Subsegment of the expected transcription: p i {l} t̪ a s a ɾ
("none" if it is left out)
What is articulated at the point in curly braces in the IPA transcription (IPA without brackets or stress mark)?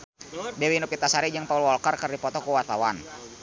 none